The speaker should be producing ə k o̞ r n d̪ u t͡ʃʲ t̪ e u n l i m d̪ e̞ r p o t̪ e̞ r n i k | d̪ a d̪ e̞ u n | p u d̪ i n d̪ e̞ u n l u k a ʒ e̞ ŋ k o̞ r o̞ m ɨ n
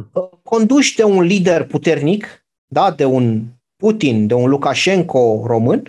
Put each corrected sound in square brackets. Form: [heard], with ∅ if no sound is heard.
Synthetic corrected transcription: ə k o̞ [∅] n d̪ u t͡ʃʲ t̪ e u n l i [∅] d̪ e̞ r p [u] t̪ e̞ r n i k | d̪ a d̪ e̞ u n | p u [t̪] i n d̪ e̞ u n l u k a [ʃ] e̞ ŋ k o̞ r o̞ m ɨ n